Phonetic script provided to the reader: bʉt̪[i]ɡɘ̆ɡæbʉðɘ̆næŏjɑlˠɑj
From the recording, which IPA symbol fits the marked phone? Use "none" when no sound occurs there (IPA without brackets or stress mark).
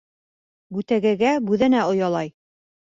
æ